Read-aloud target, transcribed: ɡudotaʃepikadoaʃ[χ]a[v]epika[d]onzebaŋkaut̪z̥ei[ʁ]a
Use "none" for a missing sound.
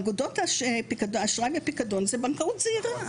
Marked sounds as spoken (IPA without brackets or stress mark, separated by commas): ʁ, v, d, ʁ